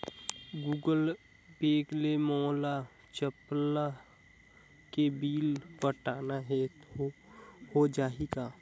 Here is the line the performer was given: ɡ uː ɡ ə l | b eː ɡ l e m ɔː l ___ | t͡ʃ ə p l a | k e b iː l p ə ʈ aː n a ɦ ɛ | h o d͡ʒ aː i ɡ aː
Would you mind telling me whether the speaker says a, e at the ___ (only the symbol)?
a